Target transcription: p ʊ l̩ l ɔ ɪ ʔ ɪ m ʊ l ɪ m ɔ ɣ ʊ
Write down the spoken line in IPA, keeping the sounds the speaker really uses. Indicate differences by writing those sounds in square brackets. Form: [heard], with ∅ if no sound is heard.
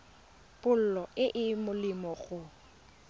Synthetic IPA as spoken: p ʊ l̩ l ɔ ɪ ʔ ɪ m ʊ l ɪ m ɔ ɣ ʊ